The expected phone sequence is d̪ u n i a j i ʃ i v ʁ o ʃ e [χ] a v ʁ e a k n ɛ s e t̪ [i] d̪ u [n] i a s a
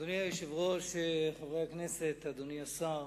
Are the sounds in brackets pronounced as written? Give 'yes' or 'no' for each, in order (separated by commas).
yes, no, yes